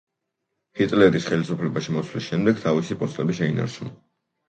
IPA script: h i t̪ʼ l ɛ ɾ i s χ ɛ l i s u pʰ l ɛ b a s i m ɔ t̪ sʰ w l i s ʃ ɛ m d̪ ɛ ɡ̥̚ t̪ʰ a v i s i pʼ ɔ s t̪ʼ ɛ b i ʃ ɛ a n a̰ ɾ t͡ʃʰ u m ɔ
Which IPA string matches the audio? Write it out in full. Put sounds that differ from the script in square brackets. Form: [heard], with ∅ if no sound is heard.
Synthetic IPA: h i t̪ʼ l ɛ ɾ i s χ ɛ l i s u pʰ l ɛ b a [ʃ] i m ɔ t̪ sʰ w l i s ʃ ɛ m d̪ ɛ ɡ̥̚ t̪ʰ a v i s i pʼ ɔ s t̪ʼ ɛ b i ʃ ɛ [i] n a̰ ɾ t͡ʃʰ u [n] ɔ